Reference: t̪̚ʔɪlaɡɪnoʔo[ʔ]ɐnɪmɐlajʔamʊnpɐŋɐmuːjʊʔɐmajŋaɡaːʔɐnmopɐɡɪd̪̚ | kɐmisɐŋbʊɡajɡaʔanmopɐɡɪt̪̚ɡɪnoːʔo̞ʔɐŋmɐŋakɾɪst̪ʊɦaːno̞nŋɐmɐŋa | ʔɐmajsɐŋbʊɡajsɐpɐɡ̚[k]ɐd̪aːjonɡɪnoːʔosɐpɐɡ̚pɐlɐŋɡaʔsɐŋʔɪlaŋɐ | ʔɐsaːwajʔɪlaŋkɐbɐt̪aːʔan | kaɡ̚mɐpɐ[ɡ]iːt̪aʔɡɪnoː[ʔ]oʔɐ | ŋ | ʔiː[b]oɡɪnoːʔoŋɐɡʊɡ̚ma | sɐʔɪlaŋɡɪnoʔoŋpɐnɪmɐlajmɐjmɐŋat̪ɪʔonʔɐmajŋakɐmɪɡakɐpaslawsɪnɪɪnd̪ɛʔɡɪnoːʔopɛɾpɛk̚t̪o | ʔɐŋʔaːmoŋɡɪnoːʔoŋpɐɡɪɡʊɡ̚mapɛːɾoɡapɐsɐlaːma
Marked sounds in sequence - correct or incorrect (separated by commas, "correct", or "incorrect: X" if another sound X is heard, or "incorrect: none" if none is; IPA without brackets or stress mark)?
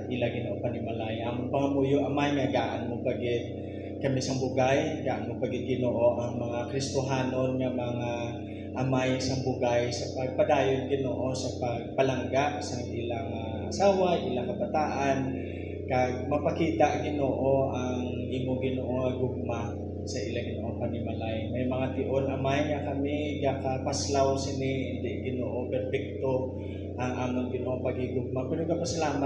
incorrect: p, incorrect: p, incorrect: k, correct, incorrect: m